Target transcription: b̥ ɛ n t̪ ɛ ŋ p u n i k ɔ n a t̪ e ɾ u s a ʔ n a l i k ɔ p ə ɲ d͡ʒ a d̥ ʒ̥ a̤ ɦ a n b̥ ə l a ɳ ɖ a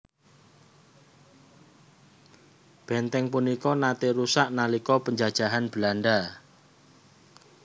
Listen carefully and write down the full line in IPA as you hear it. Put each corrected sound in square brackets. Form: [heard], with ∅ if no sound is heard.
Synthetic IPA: b̥ ɛ n t̪ ɛ ŋ p u n i k ɔ n a t̪ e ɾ u s a ʔ n a l i k ɔ p ə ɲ d͡ʒ a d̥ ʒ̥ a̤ ɦ a n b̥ ə l a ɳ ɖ a

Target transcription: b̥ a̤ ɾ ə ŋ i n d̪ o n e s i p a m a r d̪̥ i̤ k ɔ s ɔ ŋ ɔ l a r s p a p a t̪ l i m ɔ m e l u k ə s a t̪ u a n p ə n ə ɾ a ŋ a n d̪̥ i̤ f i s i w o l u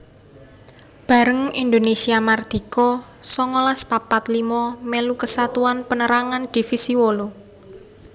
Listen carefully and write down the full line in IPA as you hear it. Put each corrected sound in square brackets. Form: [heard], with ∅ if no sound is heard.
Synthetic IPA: b̥ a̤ ɾ ə ŋ i n d̪ o n e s i [∅] a m a r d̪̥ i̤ k ɔ s ɔ ŋ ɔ l a [∅] s p a p a t̪ l i m ɔ m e l u k ə s a t̪ u a n p ə n ə ɾ a ŋ a n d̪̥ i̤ f i s i w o l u

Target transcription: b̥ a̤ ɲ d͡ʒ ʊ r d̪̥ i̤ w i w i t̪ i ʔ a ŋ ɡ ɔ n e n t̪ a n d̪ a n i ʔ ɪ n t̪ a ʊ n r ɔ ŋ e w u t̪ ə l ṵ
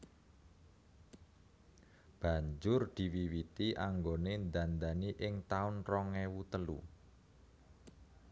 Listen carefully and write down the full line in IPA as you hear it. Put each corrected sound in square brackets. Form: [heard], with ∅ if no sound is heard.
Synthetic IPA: b̥ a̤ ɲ d͡ʒ ʊ r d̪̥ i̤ w i w i t̪ i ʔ a ŋ ɡ [o] n e n [d̪] a n d̪ a n i ʔ ɪ [ŋ] t̪ a ʊ n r ɔ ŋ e w u t̪ ə l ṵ

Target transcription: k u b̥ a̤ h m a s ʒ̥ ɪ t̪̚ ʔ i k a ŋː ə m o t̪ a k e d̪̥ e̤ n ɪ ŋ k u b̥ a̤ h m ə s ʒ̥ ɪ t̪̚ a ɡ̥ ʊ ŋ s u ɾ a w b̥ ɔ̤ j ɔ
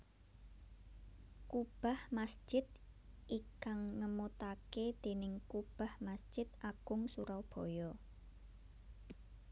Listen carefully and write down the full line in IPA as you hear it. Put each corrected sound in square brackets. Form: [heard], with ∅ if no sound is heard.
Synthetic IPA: k u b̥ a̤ h m a s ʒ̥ ɪ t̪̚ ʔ i k a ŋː ə m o t̪ a k e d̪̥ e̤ n ɪ ŋ k u b̥ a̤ h m [a] s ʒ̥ ɪ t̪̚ a ɡ̥ ʊ ŋ s u ɾ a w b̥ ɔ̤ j ɔ

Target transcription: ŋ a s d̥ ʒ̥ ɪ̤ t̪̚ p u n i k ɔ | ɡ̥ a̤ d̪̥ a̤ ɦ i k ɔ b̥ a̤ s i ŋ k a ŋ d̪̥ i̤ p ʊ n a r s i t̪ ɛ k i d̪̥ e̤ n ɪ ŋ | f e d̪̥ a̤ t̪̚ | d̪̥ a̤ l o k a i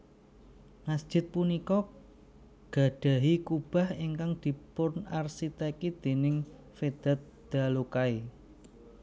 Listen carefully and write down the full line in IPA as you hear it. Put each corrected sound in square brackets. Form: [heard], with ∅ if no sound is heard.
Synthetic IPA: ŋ a s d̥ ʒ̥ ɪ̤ t̪̚ p u n i k ɔ | ɡ̥ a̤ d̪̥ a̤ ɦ i k [u] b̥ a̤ [h] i ŋ k a ŋ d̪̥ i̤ p ʊ n a r s i t̪ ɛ k i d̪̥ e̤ n ɪ ŋ | f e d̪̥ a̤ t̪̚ | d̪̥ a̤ l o k a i

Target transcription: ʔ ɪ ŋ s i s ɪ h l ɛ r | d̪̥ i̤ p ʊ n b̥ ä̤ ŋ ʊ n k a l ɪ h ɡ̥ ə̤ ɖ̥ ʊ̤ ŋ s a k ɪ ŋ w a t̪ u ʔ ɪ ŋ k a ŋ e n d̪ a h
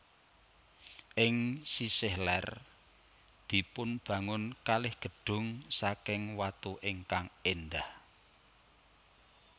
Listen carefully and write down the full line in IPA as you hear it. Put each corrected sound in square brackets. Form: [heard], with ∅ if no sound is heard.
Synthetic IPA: ʔ ɪ ŋ s i s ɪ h l ɛ r | d̪̥ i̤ p ʊ n b̥ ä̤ ŋ ʊ n k a l ɪ h ɡ̥ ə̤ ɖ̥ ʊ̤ ŋ s a k ɪ ŋ w a t̪ u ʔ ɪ ŋ k a ŋ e n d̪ a h

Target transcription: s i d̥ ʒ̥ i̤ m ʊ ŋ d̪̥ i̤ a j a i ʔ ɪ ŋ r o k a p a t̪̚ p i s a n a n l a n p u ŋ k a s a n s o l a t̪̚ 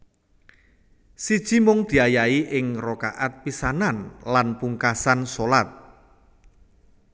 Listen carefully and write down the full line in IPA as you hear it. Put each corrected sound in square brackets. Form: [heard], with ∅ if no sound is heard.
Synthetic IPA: s i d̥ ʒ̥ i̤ m ʊ ŋ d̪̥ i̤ a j a i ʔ ɪ ŋ r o k a [ʔ] a t̪̚ p i s a n a n l a n p u ŋ k a s a n s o l a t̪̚

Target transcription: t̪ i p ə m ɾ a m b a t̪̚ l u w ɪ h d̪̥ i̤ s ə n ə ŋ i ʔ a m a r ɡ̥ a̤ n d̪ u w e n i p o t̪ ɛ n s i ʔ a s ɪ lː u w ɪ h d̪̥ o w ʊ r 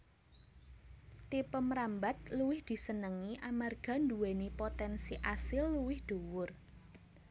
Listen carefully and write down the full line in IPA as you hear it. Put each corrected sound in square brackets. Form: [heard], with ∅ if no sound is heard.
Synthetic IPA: t̪ i p ə m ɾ a m b a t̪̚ l u w ɪ h d̪̥ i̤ s ə n ə ŋ i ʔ a m a r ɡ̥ a̤ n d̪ u w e n i p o t̪ ɛ n s i ʔ a s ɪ lː u w ɪ h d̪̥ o w ʊ r

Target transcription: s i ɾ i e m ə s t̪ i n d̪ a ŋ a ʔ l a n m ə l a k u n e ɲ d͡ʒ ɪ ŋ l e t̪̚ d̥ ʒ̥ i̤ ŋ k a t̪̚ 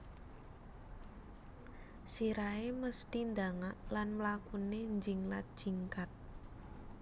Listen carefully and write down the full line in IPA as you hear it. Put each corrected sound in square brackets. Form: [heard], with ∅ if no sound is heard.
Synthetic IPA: s i ɾ [a] e m ə s t̪ i n d̪ a ŋ a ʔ l a n m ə l a k u n e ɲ d͡ʒ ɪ ŋ l [a] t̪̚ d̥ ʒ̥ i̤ ŋ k a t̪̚

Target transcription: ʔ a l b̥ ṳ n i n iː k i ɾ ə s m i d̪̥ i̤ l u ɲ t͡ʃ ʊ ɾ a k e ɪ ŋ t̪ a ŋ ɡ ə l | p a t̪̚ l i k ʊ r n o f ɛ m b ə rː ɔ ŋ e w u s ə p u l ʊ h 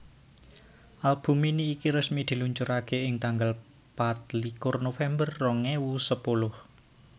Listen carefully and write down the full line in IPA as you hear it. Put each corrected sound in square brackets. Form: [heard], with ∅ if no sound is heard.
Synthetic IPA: ʔ a l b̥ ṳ [m] i n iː k i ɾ ə s m i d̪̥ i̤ l u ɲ t͡ʃ ʊ ɾ a k e ɪ ŋ t̪ a ŋ ɡ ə l | p a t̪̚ l i k ʊ r n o f ɛ m b ə rː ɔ ŋ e w u s ə p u l ʊ h

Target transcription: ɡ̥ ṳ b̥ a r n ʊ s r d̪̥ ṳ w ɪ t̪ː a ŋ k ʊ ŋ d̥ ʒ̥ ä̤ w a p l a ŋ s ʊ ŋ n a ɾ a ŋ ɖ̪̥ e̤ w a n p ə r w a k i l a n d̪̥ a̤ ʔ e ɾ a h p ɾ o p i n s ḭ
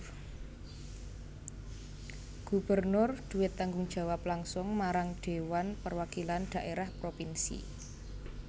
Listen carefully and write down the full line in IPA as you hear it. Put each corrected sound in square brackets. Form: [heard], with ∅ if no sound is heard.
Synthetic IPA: ɡ̥ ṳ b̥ [ə] r n ʊ [∅] r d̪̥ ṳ w ɪ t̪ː a ŋ [ɡ] ʊ ŋ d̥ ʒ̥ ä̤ w a p l a ŋ s ʊ ŋ [m] a ɾ a ŋ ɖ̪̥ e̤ w a n p ə r w a k i l a n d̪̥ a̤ ʔ e ɾ a h p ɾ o p i n s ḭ

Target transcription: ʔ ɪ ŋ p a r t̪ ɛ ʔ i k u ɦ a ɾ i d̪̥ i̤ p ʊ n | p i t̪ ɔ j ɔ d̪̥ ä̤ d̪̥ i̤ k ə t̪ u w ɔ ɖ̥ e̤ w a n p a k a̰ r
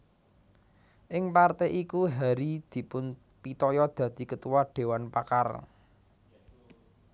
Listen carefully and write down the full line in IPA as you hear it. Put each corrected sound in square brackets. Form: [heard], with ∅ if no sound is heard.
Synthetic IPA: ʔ ɪ ŋ p a r t̪ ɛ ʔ i k u ɦ a ɾ i d̪̥ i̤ p ʊ n | p i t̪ ɔ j ɔ d̪̥ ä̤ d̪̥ i̤ k ə t̪ u w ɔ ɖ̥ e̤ w a n p a k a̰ r

